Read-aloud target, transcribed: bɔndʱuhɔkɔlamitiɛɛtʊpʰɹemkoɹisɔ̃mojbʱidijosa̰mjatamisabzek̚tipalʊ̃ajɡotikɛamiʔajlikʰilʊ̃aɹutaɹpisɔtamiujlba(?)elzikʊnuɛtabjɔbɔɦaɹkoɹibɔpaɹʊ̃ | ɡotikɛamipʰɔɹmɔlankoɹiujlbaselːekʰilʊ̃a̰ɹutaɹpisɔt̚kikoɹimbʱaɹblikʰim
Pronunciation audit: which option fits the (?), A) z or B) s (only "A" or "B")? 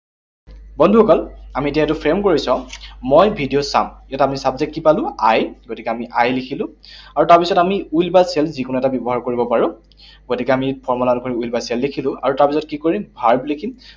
B